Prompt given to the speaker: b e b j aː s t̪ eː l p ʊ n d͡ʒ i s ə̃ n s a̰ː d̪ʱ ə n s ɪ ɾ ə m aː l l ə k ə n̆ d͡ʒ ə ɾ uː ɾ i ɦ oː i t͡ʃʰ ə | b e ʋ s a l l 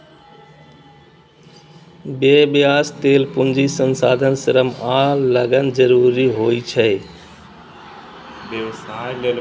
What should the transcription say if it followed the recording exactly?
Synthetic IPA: b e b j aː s t̪ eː l p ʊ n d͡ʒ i s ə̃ n s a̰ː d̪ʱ ə n s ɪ ɾ ə m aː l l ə ɡ ə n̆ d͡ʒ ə ɾ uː ɾ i ɦ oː i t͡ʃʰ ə | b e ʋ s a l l

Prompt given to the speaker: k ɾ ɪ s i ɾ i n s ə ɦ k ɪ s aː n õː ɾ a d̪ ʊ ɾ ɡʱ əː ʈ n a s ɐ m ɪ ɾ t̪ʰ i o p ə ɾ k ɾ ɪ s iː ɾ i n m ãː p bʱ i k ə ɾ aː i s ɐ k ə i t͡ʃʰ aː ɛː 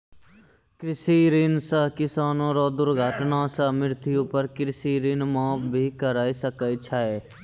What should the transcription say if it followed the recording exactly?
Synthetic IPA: k ɾ ɪ s i ɾ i n s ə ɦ k ɪ s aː n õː ɾ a d̪ ʊ ɾ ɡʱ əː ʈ n a s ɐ m ɪ ɾ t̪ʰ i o p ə ɾ k ɾ ɪ s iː ɾ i n m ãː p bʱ i k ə ɾ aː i s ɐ k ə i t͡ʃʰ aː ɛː

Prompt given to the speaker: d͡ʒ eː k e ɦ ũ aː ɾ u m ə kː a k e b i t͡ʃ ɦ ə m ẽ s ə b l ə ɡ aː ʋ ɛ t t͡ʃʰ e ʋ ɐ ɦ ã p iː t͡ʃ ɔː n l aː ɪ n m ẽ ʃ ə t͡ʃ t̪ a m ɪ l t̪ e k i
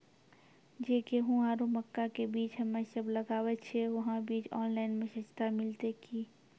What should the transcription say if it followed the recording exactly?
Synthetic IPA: d͡ʒ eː k e ɦ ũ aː ɾ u m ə kː a k e b iː t͡ʃ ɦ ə m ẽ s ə b l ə ɡ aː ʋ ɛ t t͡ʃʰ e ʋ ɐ ɦ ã b iː t͡ʃ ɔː n l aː ɪ n m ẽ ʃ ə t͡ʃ t̪ a m ɪ l t̪ e k i

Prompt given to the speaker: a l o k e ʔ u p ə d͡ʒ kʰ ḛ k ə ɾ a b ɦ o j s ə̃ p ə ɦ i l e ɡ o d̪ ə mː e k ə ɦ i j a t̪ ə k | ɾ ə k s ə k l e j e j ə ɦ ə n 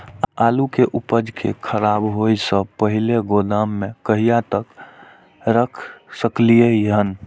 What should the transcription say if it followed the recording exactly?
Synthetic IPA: a l u k e ʔ u p ə d͡ʒ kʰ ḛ kʰ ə ɾ a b ɦ o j s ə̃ p ə ɦ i l e ɡ o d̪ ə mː e k ə ɦ i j a t̪ ə k | ɾ ə kʰ s ə k l i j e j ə ɦ ə n

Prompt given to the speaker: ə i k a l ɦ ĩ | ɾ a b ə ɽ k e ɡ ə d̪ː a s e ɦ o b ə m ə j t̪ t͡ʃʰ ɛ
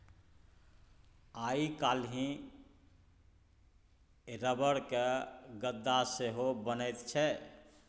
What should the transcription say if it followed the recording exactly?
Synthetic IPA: a i k a l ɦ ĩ | ɾ ə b ə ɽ k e ɡ ə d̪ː a s e ɦ o b ə n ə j t̪ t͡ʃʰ ɛ

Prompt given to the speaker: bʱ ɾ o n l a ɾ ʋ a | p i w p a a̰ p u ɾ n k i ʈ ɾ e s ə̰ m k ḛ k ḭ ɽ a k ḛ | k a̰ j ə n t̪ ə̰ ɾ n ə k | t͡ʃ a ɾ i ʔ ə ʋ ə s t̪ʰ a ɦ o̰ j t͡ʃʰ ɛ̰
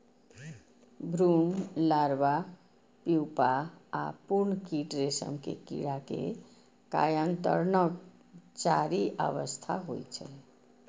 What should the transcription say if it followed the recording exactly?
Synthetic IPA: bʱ ɾ u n l a ɾ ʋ a | p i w p a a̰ p u ɾ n k i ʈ ɾ e s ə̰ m k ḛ k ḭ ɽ a k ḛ | k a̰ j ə n t̪ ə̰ ɾ n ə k | t͡ʃ a ɾ i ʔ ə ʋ ə s t̪ʰ a ɦ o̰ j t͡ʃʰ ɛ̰

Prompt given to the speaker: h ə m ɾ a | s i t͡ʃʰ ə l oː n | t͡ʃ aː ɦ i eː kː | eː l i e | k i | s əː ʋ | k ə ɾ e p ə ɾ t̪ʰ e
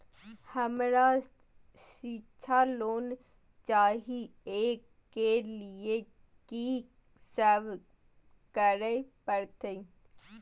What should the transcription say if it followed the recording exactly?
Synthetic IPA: h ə m ɾ a | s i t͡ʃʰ a l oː n | t͡ʃ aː ɦ i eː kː | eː l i e | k i | s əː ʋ | k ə ɾ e p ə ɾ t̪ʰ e

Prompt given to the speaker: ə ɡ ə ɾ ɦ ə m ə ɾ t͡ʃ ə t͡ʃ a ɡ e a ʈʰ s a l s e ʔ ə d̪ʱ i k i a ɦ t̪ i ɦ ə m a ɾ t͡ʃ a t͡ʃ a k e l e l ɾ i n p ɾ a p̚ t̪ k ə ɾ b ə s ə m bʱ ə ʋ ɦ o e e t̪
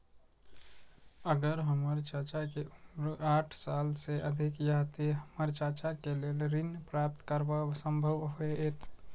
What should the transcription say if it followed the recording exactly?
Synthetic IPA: ə ɡ ə ɾ ɦ ə m ə ɾ t͡ʃ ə t͡ʃ a k e a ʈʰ s a l s e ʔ ə d̪ʱ i k j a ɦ t̪ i ɦ ə m ə ɾ t͡ʃ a t͡ʃ a k e l e l ɾ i n p ɾ a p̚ t̪ k ə ɾ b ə s ə m bʱ ə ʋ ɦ o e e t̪

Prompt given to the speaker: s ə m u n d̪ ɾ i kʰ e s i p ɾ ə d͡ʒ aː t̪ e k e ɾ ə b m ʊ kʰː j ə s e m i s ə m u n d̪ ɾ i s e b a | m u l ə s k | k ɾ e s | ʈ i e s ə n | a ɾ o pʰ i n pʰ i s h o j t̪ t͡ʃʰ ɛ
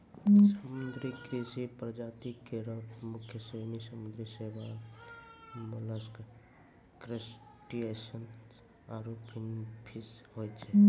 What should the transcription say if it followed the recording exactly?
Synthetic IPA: s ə m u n d̪ ɾ i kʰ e s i p ɾ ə d͡ʒ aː t̪ i k e ɾ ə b m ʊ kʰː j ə s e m i s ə m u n d̪ ɾ i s e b a | m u l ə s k | k ɾ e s | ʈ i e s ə n | a ɾ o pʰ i n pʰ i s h o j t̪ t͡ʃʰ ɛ

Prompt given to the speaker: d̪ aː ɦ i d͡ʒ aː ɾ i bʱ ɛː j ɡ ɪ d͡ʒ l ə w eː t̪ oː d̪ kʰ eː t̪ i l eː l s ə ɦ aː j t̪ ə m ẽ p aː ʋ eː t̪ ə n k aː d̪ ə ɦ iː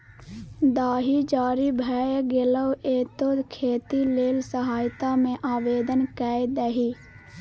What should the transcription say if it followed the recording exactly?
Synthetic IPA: d̪ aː ɦ i d͡ʒ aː ɾ i bʱ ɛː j ɡ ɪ l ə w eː t̪ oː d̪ kʰ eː t̪ i l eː l s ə ɦ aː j t̪ a m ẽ ʔ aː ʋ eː d̪ ə n k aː d̪ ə ɦ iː

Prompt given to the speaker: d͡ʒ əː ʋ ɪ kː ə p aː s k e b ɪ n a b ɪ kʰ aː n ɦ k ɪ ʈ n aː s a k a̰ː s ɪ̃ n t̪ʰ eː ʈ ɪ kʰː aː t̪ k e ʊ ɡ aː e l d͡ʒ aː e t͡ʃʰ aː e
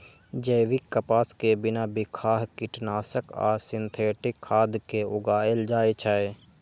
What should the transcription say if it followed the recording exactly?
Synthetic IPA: d͡ʒ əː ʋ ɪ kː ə p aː s k e b ɪ n a b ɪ kʰ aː ɦ k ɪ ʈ n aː s ə k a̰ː s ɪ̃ n t̪ʰ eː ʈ ɪ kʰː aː d̪ k e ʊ ɡ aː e l d͡ʒ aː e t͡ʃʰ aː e

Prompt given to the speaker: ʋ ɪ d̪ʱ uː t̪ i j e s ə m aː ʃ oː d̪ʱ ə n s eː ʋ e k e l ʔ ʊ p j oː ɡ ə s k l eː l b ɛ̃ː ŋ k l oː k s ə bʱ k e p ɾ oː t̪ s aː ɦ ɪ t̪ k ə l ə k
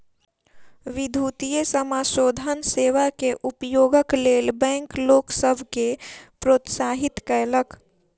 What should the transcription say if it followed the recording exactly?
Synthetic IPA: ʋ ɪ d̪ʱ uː t̪ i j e s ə m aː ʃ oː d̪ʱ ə n s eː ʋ a k e ʔ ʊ p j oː ɡ ə k l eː l b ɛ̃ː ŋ k l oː k s ə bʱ k e p ɾ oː t̪ s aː ɦ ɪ t̪ k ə l ə k

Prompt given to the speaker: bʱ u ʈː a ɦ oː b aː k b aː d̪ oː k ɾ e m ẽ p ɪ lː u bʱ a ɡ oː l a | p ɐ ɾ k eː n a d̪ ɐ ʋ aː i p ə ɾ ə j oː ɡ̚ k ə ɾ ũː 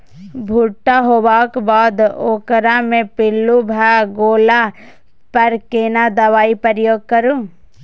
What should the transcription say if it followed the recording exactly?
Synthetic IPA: bʱ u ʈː a ɦ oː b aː k b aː d̪ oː k ɾ a m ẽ p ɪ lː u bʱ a ɡ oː l a | p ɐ ɾ k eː n a d̪ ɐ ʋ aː i p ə ɾ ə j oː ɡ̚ k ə ɾ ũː

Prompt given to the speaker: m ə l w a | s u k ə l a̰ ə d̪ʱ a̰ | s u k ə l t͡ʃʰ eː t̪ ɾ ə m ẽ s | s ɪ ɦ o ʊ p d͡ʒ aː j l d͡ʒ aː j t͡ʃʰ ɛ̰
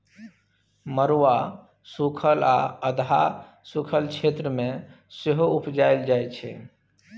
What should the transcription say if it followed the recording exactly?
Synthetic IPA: m ə ɾ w a | s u kʰ ə l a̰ ə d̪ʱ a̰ | s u kʰ ə l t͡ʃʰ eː t̪ ɾ ə m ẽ | s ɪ ɦ o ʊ p d͡ʒ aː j l d͡ʒ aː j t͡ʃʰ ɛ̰

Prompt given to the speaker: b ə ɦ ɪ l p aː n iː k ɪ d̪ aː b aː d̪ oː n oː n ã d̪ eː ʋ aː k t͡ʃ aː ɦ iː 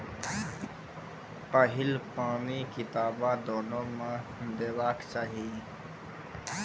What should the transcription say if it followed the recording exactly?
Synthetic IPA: p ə ɦ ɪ l p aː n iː k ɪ t̪ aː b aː d̪ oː n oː m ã d̪ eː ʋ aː k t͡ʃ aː ɦ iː

